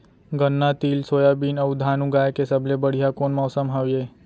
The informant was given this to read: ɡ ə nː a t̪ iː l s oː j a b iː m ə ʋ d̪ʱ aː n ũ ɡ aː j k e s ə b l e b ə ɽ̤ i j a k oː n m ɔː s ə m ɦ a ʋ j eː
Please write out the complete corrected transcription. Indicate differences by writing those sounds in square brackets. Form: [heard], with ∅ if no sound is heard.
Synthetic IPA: ɡ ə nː a t̪ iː l s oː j a b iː [n] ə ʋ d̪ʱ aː n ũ ɡ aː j k e s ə b l e b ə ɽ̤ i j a k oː n m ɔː s ə m ɦ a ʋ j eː